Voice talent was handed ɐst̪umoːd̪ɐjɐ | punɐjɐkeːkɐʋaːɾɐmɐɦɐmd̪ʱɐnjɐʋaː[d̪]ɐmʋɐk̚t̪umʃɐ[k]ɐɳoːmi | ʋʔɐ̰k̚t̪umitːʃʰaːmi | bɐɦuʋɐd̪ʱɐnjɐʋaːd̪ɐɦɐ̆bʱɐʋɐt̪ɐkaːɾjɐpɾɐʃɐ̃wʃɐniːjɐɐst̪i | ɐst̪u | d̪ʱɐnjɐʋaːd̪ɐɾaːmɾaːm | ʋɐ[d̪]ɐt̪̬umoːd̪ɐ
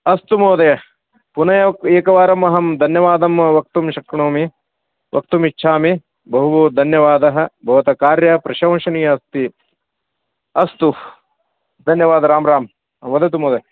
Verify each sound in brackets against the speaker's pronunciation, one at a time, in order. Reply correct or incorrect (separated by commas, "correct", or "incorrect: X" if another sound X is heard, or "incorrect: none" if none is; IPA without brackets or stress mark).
correct, correct, correct